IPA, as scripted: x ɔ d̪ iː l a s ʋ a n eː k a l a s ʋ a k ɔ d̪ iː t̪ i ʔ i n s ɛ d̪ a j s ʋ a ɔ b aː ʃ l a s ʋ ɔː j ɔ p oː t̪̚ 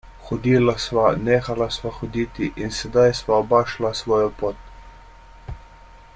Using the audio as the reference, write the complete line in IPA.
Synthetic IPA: x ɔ d̪ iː l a s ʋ a n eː x a l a s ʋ a x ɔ d̪ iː t̪ i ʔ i n s ɛ d̪ a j s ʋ a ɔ b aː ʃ l a s ʋ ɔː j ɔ p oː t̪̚